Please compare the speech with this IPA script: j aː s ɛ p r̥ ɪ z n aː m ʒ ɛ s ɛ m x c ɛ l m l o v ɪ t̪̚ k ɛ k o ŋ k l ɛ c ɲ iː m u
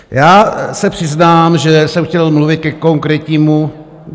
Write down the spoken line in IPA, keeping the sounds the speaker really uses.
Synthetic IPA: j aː s ɛ p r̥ ɪ z n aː m ʒ ɛ s ɛ m x c ɛ l m l u v ɪ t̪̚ k ɛ k o ŋ k ɾ ɛ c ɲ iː m u